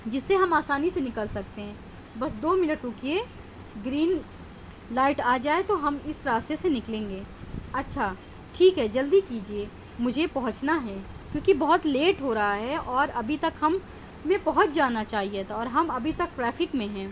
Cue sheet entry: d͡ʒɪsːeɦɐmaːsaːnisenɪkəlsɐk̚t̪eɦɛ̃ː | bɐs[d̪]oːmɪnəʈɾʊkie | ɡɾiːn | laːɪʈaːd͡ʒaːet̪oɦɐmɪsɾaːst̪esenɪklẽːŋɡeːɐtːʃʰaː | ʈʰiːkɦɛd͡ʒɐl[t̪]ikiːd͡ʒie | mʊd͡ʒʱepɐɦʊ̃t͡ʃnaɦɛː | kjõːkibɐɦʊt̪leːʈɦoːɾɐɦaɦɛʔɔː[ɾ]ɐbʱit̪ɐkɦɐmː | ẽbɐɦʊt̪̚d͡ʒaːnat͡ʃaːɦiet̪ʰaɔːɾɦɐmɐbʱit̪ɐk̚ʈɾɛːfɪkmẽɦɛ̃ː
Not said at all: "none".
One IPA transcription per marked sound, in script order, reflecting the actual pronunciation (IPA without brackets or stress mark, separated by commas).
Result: d̪, d̪, ɾ